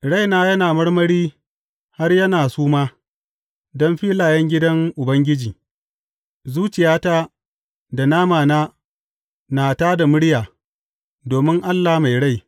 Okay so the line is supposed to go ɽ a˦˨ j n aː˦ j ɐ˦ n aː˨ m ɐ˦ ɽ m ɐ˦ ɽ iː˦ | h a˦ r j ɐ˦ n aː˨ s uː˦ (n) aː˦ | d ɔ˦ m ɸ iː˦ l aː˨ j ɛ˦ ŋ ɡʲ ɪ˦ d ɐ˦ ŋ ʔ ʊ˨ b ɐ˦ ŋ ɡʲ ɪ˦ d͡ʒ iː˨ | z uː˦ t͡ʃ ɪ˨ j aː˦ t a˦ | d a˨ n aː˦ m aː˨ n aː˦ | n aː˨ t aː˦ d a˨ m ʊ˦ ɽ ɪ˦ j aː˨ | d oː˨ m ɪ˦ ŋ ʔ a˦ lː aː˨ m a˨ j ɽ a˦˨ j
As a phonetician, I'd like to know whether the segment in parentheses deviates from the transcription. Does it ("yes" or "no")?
yes